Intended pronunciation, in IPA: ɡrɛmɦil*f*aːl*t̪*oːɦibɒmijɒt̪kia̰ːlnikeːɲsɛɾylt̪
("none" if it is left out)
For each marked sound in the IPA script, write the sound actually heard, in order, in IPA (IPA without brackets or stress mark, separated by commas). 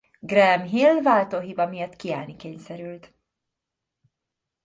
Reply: v, t̪